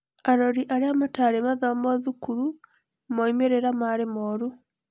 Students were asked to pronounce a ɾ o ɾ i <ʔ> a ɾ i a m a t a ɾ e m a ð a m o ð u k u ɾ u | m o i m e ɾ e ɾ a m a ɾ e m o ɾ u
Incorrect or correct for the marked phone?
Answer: correct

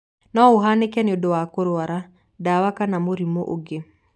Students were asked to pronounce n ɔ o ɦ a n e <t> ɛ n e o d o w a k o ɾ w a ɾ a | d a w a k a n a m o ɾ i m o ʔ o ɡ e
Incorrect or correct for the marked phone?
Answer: incorrect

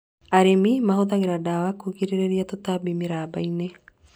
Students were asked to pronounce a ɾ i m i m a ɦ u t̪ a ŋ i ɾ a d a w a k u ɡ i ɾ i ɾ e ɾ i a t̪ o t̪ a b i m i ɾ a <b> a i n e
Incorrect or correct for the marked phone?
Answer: correct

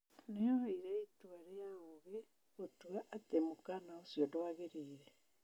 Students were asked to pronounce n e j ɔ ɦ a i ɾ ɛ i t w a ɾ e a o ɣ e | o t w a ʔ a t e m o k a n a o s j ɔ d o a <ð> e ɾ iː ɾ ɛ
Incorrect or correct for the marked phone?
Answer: incorrect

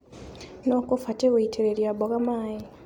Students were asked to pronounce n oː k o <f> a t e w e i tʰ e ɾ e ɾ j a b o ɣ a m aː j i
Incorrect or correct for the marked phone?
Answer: correct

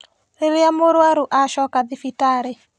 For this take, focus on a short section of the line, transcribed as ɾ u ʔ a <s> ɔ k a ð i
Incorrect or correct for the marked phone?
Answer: incorrect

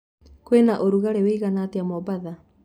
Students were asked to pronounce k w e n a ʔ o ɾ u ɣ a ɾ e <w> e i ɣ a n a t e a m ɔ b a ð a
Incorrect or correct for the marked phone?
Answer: correct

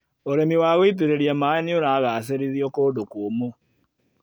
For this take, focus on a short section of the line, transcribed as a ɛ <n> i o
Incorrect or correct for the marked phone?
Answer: correct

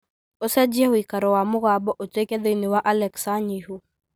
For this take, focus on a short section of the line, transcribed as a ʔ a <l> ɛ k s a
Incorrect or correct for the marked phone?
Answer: correct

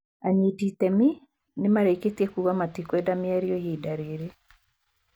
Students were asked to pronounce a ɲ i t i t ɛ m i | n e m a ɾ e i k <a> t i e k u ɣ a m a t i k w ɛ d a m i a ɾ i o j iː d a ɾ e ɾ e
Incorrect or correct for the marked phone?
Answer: incorrect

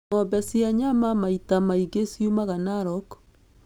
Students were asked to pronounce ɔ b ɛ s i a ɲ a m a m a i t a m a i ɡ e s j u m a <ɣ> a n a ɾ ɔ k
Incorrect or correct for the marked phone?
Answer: correct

